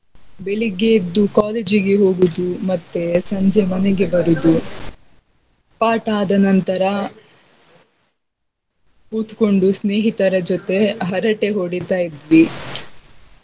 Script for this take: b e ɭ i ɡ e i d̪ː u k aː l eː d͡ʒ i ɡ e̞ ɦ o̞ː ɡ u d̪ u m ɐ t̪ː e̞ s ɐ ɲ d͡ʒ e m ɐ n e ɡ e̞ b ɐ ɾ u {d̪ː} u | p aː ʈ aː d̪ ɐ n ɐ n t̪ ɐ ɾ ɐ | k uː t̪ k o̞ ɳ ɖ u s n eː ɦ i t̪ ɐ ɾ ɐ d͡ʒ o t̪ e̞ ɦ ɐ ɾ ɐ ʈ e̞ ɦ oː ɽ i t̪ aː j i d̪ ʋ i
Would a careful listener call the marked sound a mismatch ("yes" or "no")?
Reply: yes